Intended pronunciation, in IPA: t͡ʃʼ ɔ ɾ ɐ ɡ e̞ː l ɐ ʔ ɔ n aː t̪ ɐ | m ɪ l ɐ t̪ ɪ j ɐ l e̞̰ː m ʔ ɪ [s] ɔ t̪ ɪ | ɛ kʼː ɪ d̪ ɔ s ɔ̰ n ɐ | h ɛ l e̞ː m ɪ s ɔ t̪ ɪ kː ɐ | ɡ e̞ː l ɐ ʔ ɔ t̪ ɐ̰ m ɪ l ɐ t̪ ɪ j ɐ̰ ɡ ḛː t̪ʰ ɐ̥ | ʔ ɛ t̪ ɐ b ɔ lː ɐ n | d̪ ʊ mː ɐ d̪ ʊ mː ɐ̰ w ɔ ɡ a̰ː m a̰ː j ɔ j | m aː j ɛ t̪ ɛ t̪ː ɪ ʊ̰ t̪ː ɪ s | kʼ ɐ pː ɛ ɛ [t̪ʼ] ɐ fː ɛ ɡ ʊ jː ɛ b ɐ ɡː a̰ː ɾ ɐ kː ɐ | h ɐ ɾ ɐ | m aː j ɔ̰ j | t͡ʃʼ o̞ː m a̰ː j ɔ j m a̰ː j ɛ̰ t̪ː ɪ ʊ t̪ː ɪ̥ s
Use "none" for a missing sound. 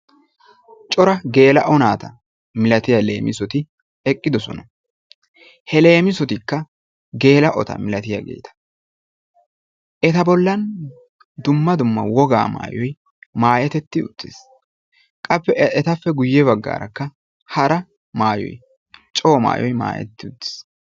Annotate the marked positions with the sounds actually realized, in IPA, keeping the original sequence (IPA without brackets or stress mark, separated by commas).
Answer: s, t̪